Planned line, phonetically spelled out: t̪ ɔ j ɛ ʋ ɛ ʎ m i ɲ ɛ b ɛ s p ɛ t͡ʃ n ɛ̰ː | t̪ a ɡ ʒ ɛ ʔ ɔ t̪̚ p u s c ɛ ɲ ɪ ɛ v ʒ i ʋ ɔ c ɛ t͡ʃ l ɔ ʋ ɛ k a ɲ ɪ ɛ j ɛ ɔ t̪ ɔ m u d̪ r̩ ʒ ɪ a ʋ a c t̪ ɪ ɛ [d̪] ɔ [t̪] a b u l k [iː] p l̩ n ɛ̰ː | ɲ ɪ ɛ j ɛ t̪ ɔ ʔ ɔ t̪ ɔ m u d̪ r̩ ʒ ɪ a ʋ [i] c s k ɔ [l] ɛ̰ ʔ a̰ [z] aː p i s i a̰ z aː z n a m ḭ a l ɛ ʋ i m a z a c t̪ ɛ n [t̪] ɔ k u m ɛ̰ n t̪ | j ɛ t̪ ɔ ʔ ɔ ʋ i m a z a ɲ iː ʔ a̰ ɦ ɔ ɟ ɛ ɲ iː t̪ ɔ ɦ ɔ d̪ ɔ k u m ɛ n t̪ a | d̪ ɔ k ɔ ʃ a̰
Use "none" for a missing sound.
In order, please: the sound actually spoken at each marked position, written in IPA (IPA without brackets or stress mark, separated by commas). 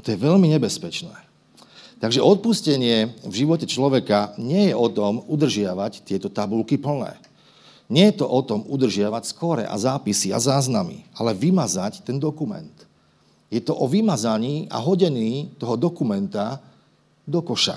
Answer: t̪, t̪, i, a, ɾ, z, d̪